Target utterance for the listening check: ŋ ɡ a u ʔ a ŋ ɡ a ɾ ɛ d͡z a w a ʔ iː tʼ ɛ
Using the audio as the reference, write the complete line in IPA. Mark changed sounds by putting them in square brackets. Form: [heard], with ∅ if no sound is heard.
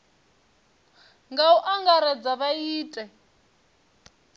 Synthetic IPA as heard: ŋ ɡ a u ʔ a ŋ ɡ a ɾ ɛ d͡z a [β] a [∅] iː tʼ ɛ